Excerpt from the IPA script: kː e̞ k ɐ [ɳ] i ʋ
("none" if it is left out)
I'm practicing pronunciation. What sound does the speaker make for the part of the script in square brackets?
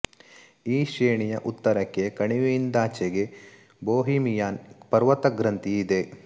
ɳ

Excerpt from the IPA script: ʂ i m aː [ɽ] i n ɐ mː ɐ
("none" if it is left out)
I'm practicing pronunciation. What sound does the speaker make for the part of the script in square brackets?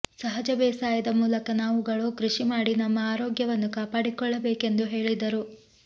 ɽ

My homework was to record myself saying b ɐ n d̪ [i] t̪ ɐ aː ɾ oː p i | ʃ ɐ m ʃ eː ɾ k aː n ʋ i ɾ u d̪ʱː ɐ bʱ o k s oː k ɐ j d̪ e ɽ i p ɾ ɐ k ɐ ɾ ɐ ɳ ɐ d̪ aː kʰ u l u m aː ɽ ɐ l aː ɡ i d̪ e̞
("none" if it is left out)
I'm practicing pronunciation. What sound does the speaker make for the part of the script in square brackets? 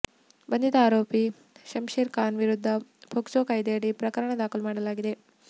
i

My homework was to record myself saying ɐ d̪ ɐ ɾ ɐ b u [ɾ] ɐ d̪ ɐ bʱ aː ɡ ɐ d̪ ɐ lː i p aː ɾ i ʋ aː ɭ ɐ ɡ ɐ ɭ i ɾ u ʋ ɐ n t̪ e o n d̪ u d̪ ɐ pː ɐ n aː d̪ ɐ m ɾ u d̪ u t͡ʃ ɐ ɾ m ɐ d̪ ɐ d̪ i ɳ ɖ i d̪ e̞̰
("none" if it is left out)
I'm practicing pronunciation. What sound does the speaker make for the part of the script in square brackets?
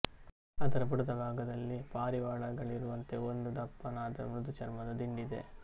ɽ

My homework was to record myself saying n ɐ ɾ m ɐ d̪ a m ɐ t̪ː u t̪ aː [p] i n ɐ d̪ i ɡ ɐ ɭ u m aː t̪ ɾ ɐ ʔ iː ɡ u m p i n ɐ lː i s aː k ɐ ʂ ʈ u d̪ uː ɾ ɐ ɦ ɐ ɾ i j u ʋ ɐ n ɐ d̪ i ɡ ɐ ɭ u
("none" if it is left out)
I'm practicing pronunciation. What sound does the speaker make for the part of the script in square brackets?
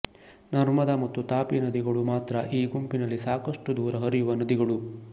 p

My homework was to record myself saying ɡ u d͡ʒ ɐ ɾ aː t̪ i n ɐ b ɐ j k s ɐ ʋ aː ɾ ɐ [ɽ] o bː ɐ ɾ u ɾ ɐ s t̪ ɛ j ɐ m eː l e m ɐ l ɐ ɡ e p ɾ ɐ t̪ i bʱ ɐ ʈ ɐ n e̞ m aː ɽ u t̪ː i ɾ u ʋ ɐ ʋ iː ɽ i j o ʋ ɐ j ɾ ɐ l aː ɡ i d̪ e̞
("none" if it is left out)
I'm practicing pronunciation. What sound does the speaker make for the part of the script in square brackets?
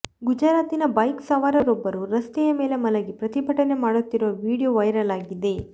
ɾ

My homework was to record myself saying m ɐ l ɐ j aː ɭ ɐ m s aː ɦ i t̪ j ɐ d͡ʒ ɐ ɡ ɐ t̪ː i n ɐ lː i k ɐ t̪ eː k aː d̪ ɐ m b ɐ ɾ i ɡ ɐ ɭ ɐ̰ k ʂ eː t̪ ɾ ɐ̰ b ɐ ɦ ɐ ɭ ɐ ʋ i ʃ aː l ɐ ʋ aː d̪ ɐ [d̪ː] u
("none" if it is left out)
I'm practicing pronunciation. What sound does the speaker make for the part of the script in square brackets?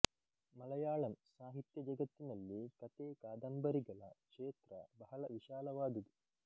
d̪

